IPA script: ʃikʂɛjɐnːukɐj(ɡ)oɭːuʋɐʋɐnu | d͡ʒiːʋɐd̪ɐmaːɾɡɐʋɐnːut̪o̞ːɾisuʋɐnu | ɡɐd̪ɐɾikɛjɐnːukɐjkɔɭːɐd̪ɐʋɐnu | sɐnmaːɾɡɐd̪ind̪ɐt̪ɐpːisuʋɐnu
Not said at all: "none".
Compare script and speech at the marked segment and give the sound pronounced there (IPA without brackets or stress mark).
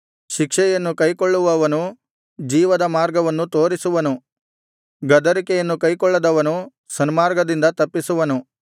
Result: k